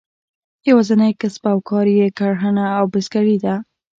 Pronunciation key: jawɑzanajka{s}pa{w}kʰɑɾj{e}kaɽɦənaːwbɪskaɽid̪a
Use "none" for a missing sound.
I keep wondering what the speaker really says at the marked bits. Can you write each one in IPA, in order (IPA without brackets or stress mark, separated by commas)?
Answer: s, w, e